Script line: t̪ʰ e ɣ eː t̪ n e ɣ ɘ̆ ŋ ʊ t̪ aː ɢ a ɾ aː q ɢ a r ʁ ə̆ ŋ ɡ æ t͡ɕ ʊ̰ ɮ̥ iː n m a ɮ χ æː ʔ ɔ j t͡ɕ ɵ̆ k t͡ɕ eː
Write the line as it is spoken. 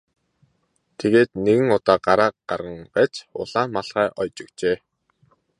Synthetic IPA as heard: t̪ʰ e ɣ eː t̪ n e ɣ ɘ̆ ŋ ʊ t̪ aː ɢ a ɾ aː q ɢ a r ʁ ə̆ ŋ ɢ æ t͡ɕ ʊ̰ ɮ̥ aː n m a ɮ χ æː ʔ ɔ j t͡ɕ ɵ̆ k t͡ɕ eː